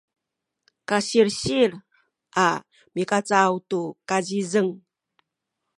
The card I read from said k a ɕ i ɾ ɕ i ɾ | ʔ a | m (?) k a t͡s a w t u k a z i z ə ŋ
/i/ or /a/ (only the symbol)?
i